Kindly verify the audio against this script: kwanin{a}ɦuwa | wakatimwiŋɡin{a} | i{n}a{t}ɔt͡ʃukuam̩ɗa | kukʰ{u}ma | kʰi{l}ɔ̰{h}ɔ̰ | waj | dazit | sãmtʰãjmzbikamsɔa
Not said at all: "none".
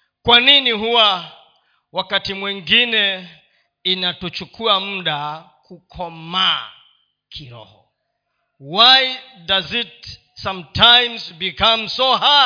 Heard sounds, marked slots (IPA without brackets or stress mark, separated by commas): i, ɛ, n, t, ɔ, ɾ, h